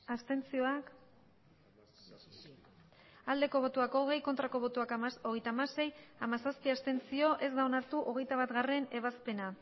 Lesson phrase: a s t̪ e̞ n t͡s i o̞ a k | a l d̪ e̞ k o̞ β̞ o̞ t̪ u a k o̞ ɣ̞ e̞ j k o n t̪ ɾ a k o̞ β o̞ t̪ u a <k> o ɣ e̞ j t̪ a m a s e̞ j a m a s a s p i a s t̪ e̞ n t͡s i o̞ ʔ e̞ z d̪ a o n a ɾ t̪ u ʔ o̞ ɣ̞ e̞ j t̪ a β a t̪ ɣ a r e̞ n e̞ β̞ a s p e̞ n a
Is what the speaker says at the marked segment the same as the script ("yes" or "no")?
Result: yes